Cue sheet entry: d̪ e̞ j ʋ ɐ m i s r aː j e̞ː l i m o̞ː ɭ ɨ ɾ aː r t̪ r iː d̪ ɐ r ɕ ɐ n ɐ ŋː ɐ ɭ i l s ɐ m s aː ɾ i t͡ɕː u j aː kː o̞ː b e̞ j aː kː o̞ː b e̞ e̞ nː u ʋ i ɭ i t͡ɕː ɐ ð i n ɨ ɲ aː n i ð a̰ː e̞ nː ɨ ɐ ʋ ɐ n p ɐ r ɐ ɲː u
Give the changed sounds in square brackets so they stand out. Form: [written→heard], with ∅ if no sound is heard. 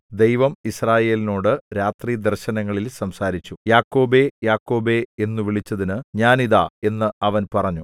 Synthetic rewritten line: d̪ e̞ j ʋ ɐ m i s r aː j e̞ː l i [m→n] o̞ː [ɭ→ɽ] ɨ ɾ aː [r→∅] t̪ r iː d̪ ɐ r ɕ ɐ n ɐ ŋː ɐ ɭ i l s ɐ m s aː ɾ i t͡ɕː u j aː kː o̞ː b e̞ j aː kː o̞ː b e̞ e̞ nː u ʋ i ɭ i t͡ɕː ɐ ð i n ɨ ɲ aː n i ð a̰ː e̞ nː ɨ ɐ ʋ ɐ n p ɐ r ɐ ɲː u